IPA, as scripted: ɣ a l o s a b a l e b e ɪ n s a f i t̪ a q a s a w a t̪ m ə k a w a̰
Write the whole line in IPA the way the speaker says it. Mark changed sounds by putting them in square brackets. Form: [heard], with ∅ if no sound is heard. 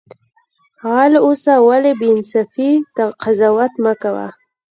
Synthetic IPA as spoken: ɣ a l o s a [w] a l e b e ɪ n s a f i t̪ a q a [z] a w a t̪ m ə k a w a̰